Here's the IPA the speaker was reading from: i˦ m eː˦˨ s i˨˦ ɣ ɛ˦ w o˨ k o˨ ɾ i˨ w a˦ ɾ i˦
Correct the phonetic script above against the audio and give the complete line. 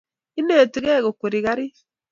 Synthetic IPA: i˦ n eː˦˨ t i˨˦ ɣ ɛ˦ ɣ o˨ k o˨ ɾ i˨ ɣ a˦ ɾ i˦